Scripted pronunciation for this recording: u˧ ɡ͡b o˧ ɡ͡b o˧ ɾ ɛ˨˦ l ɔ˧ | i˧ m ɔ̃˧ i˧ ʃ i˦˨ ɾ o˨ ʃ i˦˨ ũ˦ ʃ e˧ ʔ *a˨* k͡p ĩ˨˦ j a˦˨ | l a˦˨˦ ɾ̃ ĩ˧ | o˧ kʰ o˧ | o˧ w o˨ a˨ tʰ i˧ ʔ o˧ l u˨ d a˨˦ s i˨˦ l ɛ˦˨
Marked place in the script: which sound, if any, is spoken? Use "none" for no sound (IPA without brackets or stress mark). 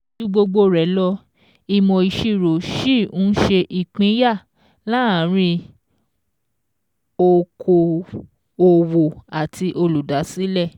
i˨